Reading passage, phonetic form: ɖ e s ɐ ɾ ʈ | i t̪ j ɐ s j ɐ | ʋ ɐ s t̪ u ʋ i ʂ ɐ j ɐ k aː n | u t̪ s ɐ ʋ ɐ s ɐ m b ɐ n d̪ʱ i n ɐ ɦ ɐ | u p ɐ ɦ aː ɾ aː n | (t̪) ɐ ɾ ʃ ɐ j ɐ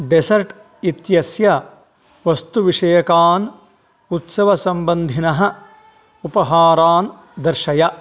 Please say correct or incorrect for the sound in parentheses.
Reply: incorrect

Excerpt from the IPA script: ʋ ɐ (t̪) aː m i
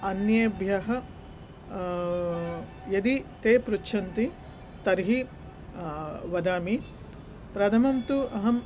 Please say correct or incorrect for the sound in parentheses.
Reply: incorrect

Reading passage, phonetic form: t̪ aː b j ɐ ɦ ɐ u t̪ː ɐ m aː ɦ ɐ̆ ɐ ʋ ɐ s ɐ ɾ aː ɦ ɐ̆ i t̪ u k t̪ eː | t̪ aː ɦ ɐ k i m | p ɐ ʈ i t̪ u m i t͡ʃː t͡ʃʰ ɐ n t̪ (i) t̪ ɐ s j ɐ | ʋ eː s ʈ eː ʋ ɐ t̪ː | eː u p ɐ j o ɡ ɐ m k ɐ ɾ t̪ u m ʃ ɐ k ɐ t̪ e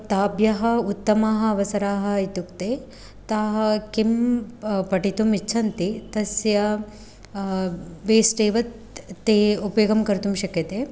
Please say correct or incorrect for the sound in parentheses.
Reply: correct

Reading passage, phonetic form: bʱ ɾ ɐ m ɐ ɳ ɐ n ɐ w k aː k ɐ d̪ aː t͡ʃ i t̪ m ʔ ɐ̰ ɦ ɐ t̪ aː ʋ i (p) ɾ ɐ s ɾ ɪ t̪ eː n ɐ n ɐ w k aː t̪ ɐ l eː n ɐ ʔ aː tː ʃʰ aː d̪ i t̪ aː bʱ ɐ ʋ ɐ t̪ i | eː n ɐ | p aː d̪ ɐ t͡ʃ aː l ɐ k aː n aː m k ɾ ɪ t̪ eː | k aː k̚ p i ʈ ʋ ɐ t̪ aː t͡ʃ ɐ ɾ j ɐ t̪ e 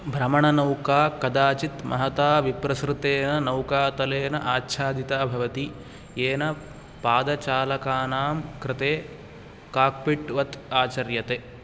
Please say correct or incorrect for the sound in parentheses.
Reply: correct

